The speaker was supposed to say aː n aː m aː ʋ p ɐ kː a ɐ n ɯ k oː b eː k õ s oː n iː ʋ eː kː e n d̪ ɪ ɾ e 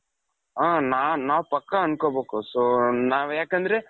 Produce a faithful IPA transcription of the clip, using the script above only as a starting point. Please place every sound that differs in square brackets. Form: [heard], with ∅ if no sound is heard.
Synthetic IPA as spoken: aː n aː [n] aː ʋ p ɐ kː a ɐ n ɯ k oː b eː k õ s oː n [aː] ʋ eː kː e n d̪ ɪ ɾ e